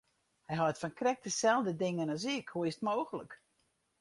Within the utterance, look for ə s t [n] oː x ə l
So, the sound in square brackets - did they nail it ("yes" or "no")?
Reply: no